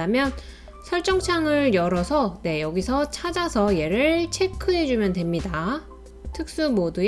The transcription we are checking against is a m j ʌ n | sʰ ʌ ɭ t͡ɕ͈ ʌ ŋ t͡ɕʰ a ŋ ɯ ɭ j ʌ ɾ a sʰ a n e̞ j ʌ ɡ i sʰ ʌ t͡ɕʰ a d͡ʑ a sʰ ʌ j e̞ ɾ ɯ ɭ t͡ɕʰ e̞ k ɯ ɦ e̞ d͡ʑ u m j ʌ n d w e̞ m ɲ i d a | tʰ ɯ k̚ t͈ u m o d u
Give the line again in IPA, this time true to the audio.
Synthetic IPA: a m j ʌ n | sʰ ʌ ɭ t͡ɕ͈ ʌ ŋ t͡ɕʰ a ŋ ɯ ɭ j ʌ ɾ ʌ sʰ ʌ n e̞ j ʌ ɡ i sʰ ʌ t͡ɕʰ a d͡ʑ a sʰ ʌ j e̞ ɾ ɯ ɭ t͡ɕʰ e̞ kʰ ɯ ɦ e̞ d͡ʑ u m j ʌ n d w e̞ m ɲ i d a | tʰ ɯ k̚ s͈ u m o d u

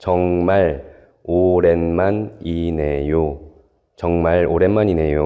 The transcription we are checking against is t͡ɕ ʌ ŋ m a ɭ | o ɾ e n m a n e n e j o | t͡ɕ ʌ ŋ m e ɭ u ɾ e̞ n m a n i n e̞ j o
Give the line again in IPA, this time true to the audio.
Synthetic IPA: t͡ɕ ʌ ŋ m a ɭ | o ɾ e n m a n i n e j o | t͡ɕ ʌ ŋ m a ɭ o ɾ e̞ n m a n i n e̞ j o

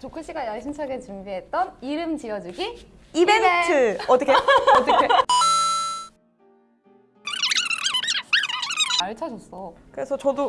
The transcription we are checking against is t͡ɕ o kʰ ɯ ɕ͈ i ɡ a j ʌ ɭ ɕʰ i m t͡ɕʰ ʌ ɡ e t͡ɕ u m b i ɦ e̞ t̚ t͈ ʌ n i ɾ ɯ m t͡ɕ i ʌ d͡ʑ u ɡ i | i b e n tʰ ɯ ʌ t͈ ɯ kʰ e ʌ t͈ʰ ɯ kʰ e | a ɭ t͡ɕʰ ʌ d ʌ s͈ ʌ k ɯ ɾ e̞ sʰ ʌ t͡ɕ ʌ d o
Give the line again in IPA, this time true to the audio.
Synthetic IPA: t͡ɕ o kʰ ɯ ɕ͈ i ɡ a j ʌ ɭ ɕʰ i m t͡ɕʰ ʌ ɡ e t͡ɕ u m b i ɦ e̞ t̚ t͈ ʌ n i ɾ ɯ m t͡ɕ i ʌ d͡ʑ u ɡ i | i b e n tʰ ɯ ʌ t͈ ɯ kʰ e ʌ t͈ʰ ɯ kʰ e | a ɭ t͡ɕʰ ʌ d͡ʑ ʌ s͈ ʌ k ɯ ɾ e̞ sʰ ʌ t͡ɕ ʌ d o

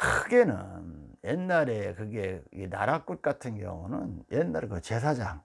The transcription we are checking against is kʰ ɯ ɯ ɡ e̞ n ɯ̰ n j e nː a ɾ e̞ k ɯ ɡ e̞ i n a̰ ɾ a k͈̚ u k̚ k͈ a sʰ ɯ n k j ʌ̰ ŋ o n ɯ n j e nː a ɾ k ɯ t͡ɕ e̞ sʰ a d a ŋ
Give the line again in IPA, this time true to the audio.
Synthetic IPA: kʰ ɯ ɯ ɡ e̞ n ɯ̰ n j e nː a ɾ e̞ k ɯ ɡ e̞ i n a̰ ɾ a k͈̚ u t̚ k͈ a tʰ ɯ n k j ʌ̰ ŋ u n ɯ n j e nː a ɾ k ɯ t͡ɕ e̞ sʰ a d͡ʑ a ŋ

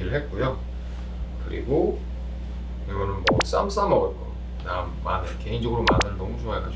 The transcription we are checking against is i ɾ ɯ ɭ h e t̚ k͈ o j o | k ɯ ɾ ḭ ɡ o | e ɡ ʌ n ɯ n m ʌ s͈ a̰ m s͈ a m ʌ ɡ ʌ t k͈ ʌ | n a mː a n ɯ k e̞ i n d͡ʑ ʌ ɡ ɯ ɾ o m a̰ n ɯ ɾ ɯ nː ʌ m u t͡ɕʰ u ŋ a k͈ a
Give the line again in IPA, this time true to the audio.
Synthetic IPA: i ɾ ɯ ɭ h e t̚ k͈ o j o | k ɯ ɾ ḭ ɡ o | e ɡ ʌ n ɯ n m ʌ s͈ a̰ m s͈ a m ʌ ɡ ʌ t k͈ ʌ | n a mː a n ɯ k e̞ i n d͡ʑ ʌ ɡ ɯ ɾ o m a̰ n ɯ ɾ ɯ n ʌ m u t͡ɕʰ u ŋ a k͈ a

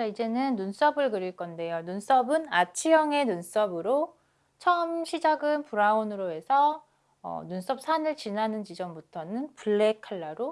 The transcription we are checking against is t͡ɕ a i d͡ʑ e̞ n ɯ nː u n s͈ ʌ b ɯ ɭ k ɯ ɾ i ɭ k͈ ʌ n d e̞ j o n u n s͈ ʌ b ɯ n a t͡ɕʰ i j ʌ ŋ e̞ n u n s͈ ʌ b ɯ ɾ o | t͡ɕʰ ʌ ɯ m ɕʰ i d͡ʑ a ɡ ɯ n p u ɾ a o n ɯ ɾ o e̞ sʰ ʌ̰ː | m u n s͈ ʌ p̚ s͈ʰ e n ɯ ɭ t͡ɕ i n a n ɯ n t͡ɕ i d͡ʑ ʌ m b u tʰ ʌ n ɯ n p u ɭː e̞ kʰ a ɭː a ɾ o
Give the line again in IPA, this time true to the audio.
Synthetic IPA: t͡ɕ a i d͡ʑ e̞ n ɯ nː u n s͈ ʌ b ɯ ɭ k ɯ ɾ i ɭ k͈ ʌ n d e̞ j o n u n s͈ ʌ b ɯ n a t͡ɕʰ i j ʌ ŋ e̞ n u n s͈ ʌ b ɯ ɾ o | t͡ɕʰ ʌ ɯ m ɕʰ i d͡ʑ a ɡ ɯ n p u ɾ a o n ɯ ɾ o e̞ sʰ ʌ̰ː | n u n s͈ ʌ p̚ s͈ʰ a n ɯ ɭ t͡ɕ i n a n ɯ n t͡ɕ i d͡ʑ ʌ m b u tʰ ʌ n ɯ n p u ɭː e̞ kʰ a ɭː a ɾ o

